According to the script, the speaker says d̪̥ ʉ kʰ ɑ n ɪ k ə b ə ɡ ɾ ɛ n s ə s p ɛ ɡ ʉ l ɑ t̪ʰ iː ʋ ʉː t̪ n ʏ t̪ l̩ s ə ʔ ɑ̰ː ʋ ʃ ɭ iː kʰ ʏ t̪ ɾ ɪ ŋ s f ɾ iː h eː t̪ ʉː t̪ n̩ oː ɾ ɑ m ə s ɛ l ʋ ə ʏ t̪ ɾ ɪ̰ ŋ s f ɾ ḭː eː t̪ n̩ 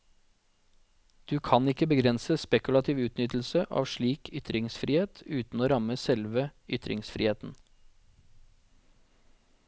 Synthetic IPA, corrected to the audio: d̪̥ ʉː kʰ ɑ n ɪ k ə b ə ɡ ɾ ɛ n s ə s p ɛ k ʉ l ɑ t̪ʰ iː ʋ ʉː t̪ n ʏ t̪ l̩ s ə ʔ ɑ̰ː ʋ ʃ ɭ iː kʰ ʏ t̪ ɾ ɪ ŋ s f ɾ iː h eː t̪ ʉː t̪ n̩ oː ɾ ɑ m ə s ɛ l ʋ ə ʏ t̪ ɾ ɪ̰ ŋ s f ɾ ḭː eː t̪ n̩